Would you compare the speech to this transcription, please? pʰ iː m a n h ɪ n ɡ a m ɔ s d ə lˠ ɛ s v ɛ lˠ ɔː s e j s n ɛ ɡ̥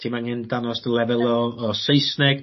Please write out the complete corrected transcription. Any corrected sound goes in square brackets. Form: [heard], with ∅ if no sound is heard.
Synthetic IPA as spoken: [tʰ] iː m a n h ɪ n [d] a [n] ɔ s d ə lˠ ɛ [∅] v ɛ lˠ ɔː s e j s n ɛ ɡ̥

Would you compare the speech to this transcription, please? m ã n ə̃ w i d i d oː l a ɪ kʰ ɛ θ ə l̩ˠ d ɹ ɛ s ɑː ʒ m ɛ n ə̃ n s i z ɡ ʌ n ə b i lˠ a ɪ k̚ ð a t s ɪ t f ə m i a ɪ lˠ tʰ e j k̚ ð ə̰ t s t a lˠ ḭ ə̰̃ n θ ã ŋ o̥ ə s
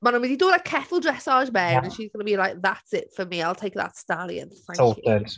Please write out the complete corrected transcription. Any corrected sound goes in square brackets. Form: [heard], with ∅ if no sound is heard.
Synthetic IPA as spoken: m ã n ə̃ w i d i d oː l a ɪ kʰ ɛ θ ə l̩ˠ d ɹ ɛ s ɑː ʒ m ɛ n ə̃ n [ʃ] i z ɡ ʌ n ə b i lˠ a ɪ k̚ ð a t s ɪ t f ə m i a ɪ lˠ tʰ e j k̚ ð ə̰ t s t a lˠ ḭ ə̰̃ n θ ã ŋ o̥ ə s

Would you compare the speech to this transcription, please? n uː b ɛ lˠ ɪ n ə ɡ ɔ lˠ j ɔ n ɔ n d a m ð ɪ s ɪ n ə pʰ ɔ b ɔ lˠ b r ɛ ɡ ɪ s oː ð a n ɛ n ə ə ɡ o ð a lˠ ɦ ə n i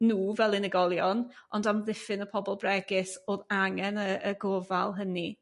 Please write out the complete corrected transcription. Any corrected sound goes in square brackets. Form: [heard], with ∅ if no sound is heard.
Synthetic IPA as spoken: n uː [v] ɛ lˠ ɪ n ə ɡ ɔ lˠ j ɔ n ɔ n d a m ð ɪ [f] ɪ n ə pʰ ɔ b ɔ lˠ b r ɛ ɡ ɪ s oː ð a [ŋ] ɛ n ə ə ɡ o [v] a lˠ ɦ ə n i

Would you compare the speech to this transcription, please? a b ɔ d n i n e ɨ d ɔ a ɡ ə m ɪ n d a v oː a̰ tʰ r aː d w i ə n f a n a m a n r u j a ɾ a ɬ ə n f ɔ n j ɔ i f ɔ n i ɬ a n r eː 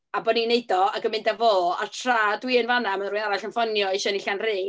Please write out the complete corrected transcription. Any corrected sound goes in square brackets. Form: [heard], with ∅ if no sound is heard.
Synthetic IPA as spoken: a b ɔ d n i n e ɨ d ɔ a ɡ ə m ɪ n d a v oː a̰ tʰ r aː d w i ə n [v] a n a m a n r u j a ɾ a ɬ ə n f ɔ n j ɔ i [ʃ] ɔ n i ɬ a n r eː

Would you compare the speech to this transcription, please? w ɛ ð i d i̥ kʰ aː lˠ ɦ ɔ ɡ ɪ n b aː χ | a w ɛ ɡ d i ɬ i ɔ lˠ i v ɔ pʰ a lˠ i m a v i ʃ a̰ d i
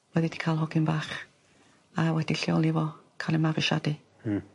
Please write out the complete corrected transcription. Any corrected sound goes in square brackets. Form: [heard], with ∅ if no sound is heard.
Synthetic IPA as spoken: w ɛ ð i d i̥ kʰ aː lˠ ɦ ɔ ɡ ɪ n b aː χ | a w ɛ [∅] d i ɬ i ɔ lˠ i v ɔ [kʰ] a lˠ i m a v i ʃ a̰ d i

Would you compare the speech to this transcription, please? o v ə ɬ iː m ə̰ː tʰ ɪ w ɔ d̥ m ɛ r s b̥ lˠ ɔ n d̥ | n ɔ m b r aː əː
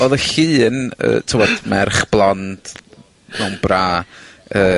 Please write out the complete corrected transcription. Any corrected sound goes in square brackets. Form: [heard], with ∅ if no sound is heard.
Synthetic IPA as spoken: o [ð] ə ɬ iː [n] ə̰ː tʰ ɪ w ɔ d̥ m ɛ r [χ] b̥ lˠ ɔ n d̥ | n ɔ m b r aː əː

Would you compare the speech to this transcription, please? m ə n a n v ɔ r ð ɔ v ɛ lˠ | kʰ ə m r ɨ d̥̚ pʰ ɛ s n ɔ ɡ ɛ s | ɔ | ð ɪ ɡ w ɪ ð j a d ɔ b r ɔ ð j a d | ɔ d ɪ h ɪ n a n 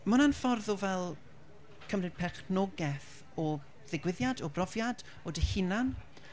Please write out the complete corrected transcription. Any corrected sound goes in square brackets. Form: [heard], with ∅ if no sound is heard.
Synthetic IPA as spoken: m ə n a n [f] ɔ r ð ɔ v ɛ lˠ | kʰ ə m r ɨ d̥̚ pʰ ɛ [χ] n ɔ ɡ ɛ [θ] | ɔ | ð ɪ ɡ w ɪ ð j a d ɔ b r ɔ [v] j a d | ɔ d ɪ h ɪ n a n

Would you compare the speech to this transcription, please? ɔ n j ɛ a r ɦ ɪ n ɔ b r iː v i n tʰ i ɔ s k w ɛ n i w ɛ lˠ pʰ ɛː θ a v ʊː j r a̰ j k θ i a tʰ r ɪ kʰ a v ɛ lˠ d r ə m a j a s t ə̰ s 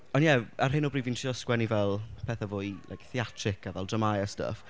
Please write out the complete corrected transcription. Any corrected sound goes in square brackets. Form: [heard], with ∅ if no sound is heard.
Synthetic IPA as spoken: ɔ n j ɛ a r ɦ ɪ n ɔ b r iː v i n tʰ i ɔ s k w ɛ n i [v] ɛ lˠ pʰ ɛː θ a v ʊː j [l] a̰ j k θ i a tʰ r ɪ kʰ a v ɛ lˠ d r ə m a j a s t ə̰ [f]

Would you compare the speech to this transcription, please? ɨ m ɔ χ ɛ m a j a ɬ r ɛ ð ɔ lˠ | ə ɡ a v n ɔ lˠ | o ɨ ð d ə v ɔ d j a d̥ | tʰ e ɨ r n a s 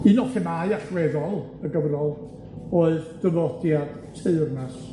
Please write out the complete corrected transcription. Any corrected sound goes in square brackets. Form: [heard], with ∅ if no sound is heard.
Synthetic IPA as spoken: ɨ [n] ɔ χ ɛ m a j a ɬ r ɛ ð ɔ lˠ | ə ɡ [ə] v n ɔ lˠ | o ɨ ð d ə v ɔ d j a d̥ | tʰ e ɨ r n a s

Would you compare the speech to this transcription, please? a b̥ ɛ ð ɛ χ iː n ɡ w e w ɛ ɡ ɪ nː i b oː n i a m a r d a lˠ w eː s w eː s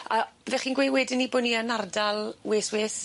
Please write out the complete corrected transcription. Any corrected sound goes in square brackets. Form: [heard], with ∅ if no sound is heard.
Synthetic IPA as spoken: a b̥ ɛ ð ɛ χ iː n ɡ w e w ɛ [d] ɪ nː i b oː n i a [n] a r d a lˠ w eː s w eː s

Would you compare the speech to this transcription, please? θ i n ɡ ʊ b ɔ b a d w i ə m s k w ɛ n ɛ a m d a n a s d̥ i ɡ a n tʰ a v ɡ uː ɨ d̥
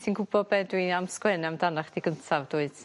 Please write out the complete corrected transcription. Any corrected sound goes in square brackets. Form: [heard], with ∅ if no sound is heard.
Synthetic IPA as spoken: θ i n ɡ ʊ b ɔ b [ɛ] d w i [a] m s k w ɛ n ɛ a m d a n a [χ] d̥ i ɡ [ə] n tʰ a v [d] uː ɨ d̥

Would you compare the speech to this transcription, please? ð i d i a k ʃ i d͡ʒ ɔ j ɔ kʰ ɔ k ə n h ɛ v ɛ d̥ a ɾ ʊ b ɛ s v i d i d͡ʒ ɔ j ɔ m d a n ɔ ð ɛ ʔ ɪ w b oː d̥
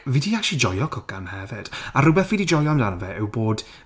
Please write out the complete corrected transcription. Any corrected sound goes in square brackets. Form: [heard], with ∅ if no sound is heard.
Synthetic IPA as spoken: [v] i d i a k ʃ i d͡ʒ ɔ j ɔ kʰ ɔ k [a] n h ɛ v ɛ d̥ a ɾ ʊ b ɛ [θ] v i d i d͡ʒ ɔ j ɔ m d a n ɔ [v] ɛ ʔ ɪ w b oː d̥

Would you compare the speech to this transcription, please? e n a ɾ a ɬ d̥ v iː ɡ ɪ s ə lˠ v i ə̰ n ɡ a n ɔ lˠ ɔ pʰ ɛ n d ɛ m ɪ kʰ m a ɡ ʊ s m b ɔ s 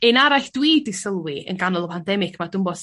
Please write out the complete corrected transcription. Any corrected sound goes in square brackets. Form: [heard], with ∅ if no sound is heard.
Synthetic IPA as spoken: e n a ɾ a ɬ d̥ [w] iː [d] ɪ s ə lˠ [w] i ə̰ n ɡ a n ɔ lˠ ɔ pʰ [a] n d ɛ m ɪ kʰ m a [d] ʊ [∅] m b ɔ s

